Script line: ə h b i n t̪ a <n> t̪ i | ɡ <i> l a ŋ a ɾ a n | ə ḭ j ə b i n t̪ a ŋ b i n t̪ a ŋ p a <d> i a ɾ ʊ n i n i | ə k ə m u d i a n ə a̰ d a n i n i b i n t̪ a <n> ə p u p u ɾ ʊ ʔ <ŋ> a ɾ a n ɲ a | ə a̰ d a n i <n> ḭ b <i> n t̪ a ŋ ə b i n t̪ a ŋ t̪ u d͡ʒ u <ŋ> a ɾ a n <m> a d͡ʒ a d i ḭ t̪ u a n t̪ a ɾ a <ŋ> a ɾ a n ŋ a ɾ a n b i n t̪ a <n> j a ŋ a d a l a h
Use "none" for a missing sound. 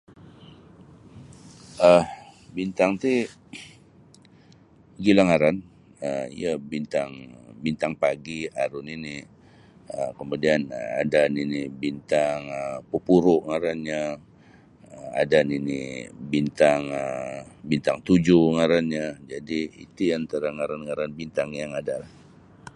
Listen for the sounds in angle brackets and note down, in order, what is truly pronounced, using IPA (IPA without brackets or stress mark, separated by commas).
ŋ, i, ɡ, ŋ, ŋ, n, i, ŋ, ɲ, ŋ, ŋ